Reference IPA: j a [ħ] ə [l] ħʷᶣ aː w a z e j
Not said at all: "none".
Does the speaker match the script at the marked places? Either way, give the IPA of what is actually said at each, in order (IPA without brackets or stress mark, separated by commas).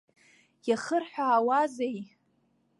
χ, r